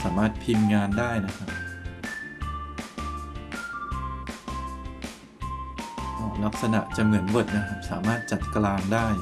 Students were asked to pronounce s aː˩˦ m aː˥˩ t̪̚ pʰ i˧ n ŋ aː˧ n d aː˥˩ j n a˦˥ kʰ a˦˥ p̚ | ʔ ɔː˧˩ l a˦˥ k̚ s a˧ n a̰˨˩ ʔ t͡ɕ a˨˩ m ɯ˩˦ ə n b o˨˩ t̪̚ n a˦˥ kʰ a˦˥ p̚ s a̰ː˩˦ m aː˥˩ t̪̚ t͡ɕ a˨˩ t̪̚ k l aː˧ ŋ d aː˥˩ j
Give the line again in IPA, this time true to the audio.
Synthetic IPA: s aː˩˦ m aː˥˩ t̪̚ pʰ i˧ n ŋ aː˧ n d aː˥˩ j n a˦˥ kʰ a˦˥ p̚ | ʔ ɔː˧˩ l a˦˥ k̚ s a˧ n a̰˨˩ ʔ t͡ɕ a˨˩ m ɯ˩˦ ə n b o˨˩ t̪̚ n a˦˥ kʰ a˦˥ p̚ s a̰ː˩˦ m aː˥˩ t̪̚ t͡ɕ a˨˩ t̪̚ k l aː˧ ŋ d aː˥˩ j